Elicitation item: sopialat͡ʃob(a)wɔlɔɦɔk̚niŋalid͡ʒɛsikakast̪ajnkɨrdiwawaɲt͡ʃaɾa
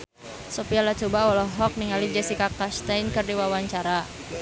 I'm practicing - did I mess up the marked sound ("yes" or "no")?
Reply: no